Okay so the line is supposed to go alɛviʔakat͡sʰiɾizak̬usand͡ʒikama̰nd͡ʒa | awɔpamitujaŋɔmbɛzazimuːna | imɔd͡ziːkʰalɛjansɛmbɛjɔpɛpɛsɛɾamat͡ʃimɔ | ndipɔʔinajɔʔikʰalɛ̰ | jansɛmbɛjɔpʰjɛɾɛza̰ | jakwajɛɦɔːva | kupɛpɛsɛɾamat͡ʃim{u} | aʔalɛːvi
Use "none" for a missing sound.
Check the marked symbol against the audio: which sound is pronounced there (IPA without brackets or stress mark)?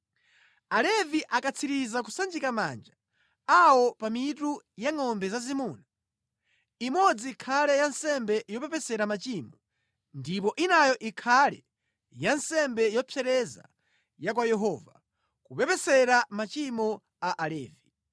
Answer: ɔ